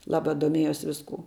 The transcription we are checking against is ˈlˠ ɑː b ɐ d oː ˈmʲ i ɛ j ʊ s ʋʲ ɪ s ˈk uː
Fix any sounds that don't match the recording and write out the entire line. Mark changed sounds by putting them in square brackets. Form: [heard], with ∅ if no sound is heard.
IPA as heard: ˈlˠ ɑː b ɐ d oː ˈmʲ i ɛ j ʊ s ʋʲ ɪ s ˈk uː